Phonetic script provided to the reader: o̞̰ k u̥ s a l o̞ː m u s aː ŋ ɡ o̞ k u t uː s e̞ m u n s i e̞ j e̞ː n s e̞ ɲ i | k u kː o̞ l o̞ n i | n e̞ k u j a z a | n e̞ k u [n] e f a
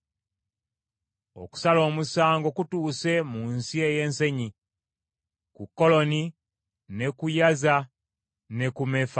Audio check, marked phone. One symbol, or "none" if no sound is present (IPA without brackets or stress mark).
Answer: m